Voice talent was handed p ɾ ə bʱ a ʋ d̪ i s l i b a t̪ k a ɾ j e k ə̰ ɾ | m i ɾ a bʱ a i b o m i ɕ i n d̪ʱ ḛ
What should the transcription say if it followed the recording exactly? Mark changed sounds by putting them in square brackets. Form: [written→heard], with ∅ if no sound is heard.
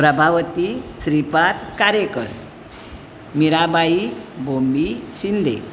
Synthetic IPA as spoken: p ɾ ə bʱ a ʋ [d̪→t̪] i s [l→ɾ] i [b→p] a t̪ k a ɾ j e k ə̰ ɾ | m i ɾ a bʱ a i b o m i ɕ i n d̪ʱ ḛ